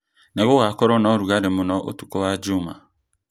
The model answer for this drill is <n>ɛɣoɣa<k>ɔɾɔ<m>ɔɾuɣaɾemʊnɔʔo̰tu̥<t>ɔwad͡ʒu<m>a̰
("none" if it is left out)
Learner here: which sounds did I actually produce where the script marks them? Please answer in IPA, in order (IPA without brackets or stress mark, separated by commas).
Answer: n, k, n, k, m